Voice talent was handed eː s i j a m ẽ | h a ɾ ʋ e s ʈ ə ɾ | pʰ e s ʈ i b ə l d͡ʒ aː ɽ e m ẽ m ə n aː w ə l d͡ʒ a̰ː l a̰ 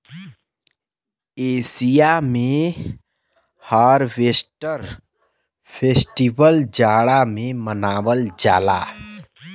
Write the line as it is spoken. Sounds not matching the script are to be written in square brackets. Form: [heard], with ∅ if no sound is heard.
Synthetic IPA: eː s i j a m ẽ | h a ɾ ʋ e s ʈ ə ɾ | pʰ e s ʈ i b ə l d͡ʒ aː ɽ [a] m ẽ m ə n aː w ə l d͡ʒ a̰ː l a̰